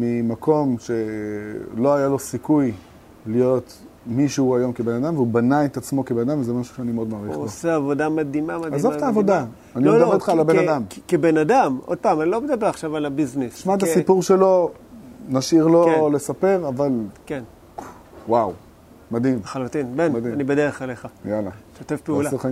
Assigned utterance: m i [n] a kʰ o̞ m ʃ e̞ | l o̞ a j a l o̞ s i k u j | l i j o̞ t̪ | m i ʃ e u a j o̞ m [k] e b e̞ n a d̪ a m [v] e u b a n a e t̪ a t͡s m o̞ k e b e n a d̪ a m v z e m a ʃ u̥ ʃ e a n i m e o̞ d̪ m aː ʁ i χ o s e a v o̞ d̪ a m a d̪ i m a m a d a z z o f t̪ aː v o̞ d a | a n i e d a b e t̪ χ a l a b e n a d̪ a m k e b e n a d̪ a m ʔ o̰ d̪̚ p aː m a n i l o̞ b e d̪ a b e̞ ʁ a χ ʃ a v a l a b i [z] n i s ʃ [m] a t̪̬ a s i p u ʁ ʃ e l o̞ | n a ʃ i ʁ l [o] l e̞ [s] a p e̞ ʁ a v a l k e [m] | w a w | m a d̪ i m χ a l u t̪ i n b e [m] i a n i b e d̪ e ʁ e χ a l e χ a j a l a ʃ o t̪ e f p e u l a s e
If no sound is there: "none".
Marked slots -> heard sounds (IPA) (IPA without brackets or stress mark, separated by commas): m, k, v, z, m, o, s, n, n